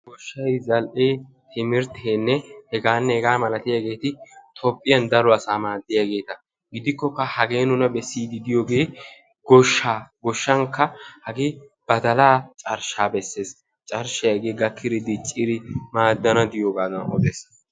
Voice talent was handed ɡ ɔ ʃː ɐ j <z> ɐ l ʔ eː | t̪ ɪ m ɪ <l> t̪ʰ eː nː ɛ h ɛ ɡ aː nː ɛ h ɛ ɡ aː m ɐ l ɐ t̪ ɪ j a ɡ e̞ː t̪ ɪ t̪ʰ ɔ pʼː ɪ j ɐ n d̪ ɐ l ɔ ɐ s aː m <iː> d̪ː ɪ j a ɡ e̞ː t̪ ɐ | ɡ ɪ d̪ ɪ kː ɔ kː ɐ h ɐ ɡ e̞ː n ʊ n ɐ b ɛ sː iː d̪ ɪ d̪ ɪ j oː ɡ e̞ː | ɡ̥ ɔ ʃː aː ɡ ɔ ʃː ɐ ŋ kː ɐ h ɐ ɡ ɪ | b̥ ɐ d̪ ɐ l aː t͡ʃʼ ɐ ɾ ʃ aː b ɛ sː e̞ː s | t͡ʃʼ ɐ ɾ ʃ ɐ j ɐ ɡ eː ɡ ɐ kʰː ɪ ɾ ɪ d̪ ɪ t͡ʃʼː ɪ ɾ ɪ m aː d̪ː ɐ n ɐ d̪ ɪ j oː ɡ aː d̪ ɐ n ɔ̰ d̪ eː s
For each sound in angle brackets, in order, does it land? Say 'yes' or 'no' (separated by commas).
yes, no, no